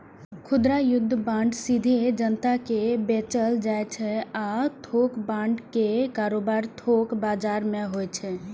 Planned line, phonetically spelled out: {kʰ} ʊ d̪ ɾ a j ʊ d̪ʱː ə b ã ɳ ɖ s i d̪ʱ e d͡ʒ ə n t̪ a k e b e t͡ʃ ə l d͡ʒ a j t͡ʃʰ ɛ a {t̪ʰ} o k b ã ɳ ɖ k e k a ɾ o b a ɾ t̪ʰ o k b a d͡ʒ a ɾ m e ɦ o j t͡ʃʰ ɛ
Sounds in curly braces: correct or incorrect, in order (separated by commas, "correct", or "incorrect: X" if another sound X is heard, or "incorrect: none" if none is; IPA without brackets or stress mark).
correct, correct